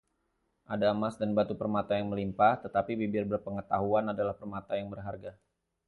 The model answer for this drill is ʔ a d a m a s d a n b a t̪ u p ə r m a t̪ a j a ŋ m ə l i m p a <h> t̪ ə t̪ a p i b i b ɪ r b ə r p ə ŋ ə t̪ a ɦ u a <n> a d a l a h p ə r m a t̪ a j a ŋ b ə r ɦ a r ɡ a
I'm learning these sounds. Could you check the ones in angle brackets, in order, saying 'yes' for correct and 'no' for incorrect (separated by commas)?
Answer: yes, yes